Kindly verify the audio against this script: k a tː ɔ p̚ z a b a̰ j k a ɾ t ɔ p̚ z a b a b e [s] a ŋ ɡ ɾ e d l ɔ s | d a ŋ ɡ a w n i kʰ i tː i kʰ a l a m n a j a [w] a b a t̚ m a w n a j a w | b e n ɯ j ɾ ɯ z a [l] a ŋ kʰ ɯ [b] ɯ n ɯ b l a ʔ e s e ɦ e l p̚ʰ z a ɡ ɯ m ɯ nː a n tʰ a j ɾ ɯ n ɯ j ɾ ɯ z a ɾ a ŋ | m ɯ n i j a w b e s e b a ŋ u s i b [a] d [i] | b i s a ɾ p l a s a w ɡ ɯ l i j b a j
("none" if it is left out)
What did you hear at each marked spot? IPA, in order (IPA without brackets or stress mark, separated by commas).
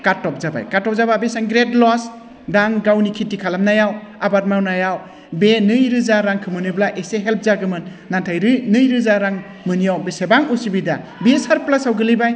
s, w, ɾ, m, i, a